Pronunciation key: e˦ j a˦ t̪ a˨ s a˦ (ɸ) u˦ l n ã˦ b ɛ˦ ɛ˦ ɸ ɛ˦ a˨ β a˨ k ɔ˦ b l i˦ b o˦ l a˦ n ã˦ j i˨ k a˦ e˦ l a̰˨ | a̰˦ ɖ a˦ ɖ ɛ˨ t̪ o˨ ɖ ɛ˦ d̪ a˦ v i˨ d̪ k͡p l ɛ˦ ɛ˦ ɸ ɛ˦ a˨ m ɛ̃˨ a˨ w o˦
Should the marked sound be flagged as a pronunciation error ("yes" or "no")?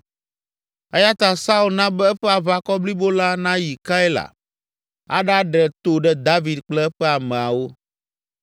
yes